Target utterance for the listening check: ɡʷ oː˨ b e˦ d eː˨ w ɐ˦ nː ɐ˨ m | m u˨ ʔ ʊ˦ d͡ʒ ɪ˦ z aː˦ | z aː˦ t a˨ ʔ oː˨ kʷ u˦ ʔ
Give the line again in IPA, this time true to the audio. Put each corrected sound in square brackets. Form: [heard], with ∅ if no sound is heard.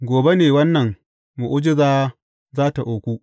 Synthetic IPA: ɡʷ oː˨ b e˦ [n] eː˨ w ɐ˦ nː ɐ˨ [ŋ] | m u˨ ʔ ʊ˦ d͡ʒ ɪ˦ z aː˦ | z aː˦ t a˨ ʔ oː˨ kʷ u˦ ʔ